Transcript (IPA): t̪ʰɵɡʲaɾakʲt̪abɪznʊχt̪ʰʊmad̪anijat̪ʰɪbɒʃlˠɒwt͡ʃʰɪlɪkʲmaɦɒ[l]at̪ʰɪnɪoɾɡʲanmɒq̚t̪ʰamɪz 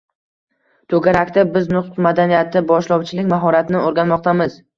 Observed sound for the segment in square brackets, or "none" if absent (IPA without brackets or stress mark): ɾ